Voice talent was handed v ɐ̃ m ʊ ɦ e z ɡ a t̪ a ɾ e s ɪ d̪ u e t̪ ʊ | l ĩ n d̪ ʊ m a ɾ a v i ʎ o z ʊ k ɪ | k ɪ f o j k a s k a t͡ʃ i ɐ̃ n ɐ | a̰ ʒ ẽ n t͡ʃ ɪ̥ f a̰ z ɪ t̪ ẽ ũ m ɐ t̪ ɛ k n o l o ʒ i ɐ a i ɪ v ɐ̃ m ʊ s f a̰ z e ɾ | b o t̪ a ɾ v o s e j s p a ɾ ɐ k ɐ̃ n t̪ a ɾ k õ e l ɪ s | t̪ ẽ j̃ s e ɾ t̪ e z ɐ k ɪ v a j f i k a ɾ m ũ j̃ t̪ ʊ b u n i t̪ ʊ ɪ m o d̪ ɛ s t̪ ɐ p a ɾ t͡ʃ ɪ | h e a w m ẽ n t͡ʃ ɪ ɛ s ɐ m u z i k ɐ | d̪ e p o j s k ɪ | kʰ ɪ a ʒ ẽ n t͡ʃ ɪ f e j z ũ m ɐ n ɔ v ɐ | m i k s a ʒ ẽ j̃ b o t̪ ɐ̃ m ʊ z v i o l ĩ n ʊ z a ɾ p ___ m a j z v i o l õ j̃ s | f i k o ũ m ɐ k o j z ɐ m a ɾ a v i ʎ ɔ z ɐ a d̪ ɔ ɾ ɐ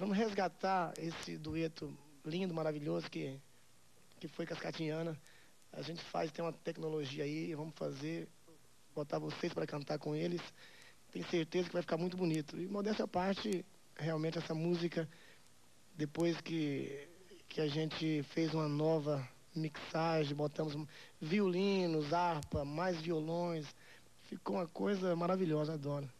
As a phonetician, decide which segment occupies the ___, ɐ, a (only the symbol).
ɐ